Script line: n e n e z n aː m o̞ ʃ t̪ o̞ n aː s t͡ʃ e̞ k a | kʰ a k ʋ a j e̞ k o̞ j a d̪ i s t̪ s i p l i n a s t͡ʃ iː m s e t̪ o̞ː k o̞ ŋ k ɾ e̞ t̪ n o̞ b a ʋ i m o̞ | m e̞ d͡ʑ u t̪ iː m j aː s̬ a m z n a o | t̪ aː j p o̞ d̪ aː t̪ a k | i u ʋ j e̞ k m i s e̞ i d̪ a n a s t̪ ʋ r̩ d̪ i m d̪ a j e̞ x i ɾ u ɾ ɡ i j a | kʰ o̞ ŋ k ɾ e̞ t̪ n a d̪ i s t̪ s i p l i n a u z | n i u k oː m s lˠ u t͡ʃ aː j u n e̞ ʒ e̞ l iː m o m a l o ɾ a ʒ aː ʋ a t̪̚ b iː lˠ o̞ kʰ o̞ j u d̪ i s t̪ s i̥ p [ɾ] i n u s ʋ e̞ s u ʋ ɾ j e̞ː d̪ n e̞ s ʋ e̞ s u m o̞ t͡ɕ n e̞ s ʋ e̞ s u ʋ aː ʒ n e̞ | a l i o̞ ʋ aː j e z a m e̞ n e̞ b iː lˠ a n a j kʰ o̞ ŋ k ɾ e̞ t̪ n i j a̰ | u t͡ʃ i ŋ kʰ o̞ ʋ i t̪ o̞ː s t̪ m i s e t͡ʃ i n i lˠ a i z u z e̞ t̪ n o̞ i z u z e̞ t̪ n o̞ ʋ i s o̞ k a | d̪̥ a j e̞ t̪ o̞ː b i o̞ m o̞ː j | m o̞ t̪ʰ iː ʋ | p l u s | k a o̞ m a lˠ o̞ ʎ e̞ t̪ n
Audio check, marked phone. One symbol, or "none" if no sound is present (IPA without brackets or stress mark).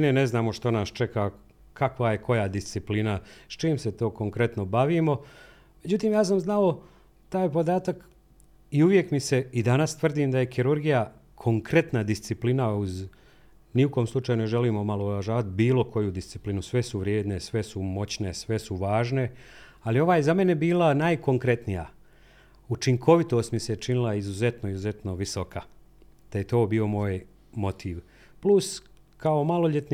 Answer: l